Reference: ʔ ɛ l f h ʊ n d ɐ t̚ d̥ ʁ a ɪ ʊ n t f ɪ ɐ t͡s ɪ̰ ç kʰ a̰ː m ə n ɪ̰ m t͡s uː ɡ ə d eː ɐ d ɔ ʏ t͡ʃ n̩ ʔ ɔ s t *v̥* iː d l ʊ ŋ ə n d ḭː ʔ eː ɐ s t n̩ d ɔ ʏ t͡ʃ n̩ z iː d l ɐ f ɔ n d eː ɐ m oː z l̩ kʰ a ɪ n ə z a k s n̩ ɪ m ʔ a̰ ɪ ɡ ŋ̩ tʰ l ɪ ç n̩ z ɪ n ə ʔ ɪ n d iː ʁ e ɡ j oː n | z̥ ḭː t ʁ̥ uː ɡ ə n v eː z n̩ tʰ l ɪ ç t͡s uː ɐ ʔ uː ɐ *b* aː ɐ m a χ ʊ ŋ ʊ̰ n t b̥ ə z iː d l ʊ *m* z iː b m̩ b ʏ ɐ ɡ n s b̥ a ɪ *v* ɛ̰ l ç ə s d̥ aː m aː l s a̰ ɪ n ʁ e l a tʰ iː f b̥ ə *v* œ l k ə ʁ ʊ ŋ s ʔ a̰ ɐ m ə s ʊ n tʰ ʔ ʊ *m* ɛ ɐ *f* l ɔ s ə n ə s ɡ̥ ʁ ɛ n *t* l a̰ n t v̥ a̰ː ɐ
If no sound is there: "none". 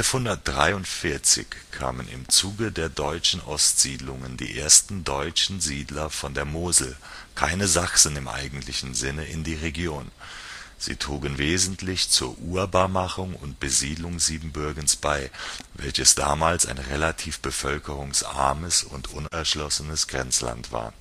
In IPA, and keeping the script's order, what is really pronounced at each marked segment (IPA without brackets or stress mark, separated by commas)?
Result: z̥, b, ŋ, v, f, n, ʃ, t͡s